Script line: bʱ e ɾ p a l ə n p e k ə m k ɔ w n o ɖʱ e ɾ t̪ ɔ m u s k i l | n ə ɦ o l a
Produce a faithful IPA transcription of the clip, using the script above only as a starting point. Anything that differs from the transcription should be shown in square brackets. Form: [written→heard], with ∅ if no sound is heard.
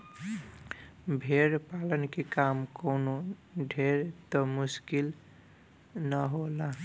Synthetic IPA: bʱ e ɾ p a l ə n [p→k] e k [ə→a] m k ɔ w n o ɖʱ e ɾ t̪ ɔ m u s k i l | n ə ɦ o l a